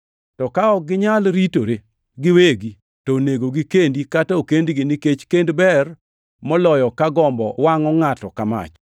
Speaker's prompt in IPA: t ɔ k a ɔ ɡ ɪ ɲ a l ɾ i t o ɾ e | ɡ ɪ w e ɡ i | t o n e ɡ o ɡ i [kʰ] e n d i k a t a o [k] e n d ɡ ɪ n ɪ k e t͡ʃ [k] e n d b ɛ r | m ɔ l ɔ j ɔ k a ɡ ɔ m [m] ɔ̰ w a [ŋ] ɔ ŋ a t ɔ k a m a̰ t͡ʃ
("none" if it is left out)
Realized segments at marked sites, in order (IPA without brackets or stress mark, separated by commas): k, k, k, b, ŋ